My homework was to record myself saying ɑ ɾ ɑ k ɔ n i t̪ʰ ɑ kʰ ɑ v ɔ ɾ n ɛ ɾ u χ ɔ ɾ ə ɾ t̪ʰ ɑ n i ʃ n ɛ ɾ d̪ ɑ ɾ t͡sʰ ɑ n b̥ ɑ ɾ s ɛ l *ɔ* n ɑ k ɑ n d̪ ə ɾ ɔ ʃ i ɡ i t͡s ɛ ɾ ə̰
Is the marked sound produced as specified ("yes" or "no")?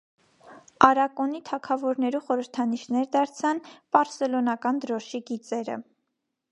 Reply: yes